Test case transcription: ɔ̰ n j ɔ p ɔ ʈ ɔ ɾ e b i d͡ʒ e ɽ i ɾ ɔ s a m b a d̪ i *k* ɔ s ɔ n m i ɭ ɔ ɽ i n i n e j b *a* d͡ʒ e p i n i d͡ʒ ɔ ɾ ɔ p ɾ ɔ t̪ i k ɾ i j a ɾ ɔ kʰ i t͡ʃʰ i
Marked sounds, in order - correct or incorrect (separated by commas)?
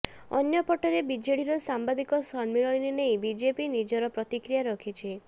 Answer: correct, incorrect